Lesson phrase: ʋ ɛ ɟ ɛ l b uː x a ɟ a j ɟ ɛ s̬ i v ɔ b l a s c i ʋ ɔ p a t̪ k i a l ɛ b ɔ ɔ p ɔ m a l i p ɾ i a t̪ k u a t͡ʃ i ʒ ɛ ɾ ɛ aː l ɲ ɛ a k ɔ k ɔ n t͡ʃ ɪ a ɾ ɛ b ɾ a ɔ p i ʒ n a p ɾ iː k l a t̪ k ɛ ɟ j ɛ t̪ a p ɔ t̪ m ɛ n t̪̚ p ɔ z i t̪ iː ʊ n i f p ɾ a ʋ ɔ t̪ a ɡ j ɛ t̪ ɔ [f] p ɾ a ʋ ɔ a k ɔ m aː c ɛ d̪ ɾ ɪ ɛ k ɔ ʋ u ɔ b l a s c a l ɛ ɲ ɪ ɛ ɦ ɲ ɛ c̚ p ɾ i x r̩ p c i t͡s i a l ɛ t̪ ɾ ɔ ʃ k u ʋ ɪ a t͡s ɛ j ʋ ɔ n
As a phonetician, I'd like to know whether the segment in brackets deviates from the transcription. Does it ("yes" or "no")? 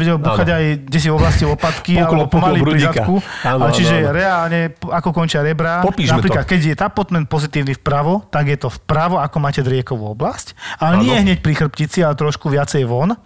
no